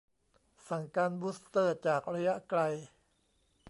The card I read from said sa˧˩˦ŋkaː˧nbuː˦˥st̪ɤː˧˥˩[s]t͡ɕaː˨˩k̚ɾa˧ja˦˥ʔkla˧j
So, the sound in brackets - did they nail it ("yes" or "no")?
no